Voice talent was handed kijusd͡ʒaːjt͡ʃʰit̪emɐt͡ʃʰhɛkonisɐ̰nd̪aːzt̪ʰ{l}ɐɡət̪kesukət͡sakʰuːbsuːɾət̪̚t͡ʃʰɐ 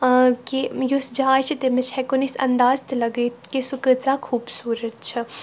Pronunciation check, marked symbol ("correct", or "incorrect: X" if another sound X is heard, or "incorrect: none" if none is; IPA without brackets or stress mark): correct